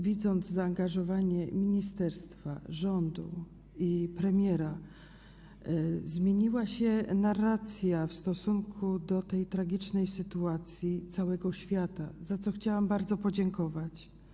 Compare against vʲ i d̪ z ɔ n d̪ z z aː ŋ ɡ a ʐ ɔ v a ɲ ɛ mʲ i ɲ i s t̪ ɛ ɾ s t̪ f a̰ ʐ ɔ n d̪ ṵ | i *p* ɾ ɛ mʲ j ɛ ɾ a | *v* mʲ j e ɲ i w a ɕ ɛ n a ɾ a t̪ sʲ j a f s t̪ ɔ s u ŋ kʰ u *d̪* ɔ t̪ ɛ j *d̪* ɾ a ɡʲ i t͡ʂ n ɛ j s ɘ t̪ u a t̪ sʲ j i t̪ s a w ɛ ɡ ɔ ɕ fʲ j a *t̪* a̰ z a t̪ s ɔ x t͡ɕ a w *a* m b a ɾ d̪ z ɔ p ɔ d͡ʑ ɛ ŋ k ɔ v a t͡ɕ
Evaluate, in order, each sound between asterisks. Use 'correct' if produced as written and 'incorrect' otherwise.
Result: correct, incorrect, correct, incorrect, correct, correct

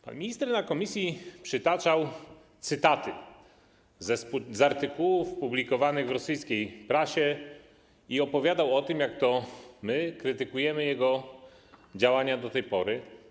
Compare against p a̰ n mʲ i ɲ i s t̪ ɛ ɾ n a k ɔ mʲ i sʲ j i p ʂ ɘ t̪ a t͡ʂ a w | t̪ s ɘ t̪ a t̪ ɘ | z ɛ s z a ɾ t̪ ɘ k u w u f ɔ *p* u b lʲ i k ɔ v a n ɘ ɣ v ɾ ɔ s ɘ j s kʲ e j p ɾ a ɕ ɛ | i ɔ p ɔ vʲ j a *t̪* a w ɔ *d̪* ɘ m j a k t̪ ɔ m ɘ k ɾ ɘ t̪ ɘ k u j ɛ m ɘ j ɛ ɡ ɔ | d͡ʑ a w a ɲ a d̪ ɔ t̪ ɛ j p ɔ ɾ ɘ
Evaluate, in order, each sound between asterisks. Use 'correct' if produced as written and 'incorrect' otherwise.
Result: correct, incorrect, incorrect

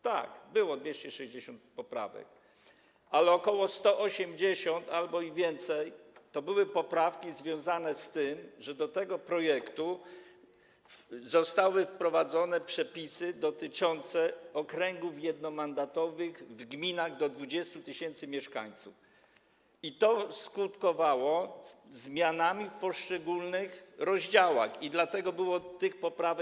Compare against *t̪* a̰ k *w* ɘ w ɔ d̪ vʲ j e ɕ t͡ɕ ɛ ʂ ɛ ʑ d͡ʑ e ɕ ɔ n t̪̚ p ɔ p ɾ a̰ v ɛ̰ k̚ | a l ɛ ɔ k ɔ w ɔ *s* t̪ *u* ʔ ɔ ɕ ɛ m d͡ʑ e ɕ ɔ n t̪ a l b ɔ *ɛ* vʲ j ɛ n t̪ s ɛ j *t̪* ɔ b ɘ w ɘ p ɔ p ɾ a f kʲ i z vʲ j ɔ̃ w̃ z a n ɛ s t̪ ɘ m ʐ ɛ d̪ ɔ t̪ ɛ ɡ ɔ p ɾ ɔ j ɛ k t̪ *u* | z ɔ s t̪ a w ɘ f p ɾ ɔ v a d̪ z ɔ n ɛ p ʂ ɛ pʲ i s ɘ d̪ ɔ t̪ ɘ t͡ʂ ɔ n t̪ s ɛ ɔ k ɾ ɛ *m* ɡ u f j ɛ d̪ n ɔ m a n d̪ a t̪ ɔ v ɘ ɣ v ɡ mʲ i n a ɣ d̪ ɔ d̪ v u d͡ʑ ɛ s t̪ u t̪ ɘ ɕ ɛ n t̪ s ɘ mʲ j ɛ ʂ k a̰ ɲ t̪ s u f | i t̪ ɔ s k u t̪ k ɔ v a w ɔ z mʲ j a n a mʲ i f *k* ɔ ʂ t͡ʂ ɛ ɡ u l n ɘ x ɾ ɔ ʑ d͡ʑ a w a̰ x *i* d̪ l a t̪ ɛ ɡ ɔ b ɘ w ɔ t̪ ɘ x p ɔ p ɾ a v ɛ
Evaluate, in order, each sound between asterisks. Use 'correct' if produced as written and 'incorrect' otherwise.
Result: correct, incorrect, correct, incorrect, incorrect, correct, correct, incorrect, incorrect, correct

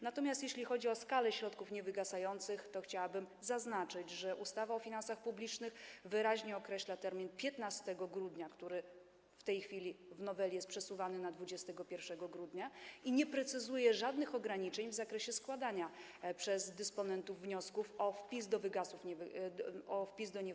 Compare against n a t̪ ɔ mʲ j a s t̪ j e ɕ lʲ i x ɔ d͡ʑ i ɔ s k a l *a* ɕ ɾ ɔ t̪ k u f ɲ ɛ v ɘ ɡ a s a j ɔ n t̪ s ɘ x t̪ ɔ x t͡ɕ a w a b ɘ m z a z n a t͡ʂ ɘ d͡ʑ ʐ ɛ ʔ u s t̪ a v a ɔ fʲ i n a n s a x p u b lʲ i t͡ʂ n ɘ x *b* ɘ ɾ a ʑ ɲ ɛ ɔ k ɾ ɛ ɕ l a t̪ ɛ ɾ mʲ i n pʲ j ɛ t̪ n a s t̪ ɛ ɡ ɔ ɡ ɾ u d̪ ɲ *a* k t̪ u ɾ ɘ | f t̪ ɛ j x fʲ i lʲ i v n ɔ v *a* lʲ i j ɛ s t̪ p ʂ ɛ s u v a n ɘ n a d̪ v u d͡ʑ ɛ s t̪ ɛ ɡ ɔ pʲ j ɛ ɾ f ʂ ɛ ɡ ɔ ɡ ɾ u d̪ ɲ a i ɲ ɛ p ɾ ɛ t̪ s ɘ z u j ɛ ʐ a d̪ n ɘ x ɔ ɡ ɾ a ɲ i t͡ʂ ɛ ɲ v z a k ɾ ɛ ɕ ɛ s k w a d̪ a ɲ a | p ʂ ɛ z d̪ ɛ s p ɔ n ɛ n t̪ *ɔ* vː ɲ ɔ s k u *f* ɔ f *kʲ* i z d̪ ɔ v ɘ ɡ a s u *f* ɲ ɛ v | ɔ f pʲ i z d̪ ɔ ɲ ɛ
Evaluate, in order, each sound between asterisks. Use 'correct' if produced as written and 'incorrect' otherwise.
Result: incorrect, incorrect, correct, incorrect, incorrect, correct, incorrect, correct

